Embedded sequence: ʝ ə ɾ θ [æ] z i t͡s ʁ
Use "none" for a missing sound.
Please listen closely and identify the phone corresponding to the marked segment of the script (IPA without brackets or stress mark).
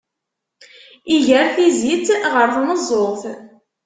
i